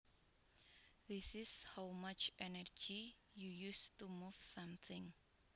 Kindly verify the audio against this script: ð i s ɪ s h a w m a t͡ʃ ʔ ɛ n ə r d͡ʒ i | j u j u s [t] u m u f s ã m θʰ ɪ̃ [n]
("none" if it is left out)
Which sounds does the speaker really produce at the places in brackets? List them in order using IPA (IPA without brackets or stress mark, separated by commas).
t, ŋ